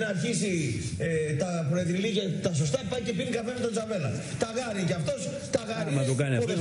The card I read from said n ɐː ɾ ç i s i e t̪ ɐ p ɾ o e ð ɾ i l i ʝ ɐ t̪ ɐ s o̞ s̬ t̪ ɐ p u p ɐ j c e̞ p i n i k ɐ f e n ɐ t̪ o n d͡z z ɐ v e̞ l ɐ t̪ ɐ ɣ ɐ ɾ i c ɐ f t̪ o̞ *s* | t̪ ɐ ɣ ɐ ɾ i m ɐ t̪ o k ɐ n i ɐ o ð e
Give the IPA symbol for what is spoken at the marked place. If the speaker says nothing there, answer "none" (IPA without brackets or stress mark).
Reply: s